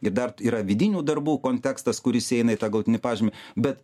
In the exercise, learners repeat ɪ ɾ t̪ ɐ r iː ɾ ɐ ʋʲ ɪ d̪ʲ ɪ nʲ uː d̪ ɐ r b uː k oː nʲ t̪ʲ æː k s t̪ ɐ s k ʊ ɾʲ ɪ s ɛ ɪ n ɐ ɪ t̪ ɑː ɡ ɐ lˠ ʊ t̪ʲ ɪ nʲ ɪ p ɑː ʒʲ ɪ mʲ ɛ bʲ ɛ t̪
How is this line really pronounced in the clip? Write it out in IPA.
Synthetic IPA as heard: ɪ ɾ d̪ ɐ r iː ɾ ɐ ʋʲ ɪ d̪ʲ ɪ nʲ uː d̪ ɐ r b uː k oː nʲ t̪ʲ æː k s t̪ ɐ s k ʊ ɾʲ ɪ s ɛ ɪ n ɐ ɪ t̪ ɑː ɡ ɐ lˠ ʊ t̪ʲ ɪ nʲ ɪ p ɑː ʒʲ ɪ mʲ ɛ bʲ ɛ t̪